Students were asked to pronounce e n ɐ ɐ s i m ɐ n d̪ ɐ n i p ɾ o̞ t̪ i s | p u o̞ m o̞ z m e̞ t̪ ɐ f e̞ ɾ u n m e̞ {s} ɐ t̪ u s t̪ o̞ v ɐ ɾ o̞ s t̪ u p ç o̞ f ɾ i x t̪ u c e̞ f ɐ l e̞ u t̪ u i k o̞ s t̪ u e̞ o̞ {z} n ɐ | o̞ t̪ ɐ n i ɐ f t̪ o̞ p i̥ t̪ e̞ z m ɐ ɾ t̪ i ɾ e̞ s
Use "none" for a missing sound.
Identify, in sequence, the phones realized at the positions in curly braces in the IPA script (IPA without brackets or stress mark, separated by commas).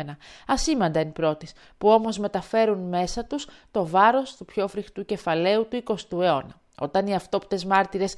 s, none